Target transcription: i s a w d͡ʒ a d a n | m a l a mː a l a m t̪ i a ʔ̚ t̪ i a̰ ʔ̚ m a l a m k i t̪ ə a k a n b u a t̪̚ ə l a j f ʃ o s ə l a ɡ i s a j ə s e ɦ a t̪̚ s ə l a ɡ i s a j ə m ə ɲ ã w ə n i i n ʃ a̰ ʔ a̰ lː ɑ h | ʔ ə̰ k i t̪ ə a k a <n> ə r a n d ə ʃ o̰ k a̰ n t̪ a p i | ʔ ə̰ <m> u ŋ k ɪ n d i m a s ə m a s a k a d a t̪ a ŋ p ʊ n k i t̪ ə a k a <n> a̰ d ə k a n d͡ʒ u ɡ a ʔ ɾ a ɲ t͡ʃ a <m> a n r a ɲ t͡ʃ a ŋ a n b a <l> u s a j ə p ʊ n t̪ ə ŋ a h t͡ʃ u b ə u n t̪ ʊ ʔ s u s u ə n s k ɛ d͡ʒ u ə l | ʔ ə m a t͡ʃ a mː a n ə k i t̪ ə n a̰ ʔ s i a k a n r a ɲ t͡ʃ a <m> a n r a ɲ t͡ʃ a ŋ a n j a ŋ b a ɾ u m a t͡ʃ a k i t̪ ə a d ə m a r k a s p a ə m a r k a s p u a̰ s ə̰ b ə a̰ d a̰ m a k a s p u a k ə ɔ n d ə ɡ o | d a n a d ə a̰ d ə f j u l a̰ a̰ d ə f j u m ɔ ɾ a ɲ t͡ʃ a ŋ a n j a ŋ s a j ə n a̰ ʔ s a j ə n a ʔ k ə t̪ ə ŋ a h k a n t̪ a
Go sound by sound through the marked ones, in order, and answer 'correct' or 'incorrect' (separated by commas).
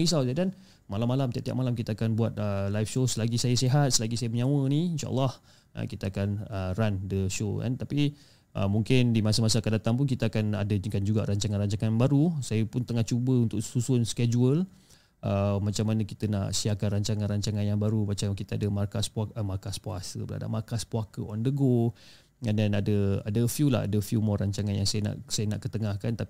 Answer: correct, correct, correct, incorrect, incorrect, incorrect